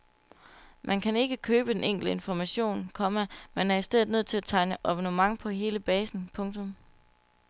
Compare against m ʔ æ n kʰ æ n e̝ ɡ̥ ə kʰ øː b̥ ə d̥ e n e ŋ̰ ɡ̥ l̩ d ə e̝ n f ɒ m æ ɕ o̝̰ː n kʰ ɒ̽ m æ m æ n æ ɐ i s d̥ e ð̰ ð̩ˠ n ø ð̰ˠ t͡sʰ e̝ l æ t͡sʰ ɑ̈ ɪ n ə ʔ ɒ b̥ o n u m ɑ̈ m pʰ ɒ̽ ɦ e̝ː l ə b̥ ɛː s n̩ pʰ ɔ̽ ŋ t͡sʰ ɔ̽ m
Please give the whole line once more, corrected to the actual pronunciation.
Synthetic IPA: m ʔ æ n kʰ æ n e̝ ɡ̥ ə kʰ øː b̥ ə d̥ e n e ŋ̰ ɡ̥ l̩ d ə e̝ n f ɒ m æ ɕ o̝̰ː n kʰ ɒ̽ m æ m e n æ ɐ i s d̥ e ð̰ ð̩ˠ n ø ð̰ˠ t͡sʰ e̝ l æ t͡sʰ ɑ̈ ɪ n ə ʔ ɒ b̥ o n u m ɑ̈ ŋ pʰ ɒ̽ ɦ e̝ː l ə b̥ ɛː s n̩ pʰ ɔ̽ ŋ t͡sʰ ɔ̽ m

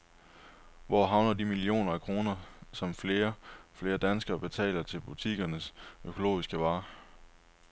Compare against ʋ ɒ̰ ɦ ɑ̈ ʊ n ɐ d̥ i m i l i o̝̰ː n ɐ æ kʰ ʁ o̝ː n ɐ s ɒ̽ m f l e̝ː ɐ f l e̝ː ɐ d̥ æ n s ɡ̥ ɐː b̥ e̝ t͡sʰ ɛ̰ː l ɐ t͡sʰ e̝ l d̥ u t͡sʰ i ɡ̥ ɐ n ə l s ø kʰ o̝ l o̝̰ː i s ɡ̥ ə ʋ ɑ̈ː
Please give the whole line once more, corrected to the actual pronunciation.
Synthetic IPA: ʋ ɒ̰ ɦ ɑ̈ ʊ n ɐ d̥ i m i l i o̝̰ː n ɐ æ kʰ ʁ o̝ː n ɐ s ɒ̽ m f l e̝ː ɐ f l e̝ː ɐ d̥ æ n s ɡ̥ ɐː b̥ e̝ t͡sʰ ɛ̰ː l ɐ t͡sʰ e̝ l b̥ u t͡sʰ i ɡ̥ ɐ n ə s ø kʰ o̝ l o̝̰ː i s ɡ̥ ə ʋ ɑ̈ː

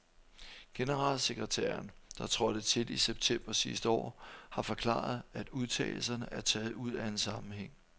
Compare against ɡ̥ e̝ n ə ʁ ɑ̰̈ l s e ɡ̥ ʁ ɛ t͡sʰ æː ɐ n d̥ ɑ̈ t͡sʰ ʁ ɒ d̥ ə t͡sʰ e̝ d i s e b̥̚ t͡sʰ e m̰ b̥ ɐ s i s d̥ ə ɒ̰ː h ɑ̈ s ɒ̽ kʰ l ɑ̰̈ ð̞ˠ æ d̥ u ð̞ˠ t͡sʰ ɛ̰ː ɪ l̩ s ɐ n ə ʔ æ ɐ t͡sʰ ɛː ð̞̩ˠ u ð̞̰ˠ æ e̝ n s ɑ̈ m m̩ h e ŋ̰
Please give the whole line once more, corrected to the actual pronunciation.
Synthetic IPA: ɡ̥ e̝ n ə ʁ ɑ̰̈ l s e ɡ̥ ʁ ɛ t͡sʰ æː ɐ n d̥ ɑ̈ t͡sʰ ʁ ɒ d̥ ə t͡sʰ e̝ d i s e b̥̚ t͡sʰ e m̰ b̥ ɐ s i s d̥ ə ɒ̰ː h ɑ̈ f ɒ̽ kʰ l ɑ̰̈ ð̞ˠ æ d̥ u ð̞ˠ t͡sʰ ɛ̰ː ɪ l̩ s ɐ n ə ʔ æ ɐ t͡sʰ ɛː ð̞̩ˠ u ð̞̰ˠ æ e̝ n s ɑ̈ m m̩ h e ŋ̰

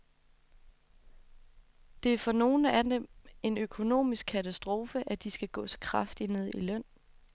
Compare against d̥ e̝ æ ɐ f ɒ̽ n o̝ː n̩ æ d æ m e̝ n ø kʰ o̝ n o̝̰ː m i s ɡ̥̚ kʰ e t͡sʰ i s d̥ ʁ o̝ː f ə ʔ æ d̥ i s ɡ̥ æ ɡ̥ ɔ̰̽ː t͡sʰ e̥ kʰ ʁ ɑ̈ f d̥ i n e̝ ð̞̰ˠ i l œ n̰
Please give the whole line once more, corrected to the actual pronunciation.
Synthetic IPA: d̥ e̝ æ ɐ f ɒ̽ n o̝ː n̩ æ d e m e̝ n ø kʰ o̝ n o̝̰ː m i s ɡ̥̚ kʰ æ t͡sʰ æ s d̥ ʁ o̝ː f ə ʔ æ d̥ i s ɡ̥ æ ɡ̥ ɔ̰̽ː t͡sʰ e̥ kʰ ʁ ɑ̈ f d̥ i n e̝ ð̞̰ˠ i l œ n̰

